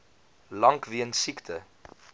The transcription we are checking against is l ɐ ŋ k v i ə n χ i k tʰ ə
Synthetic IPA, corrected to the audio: l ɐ ŋ k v i ə n s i k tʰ ə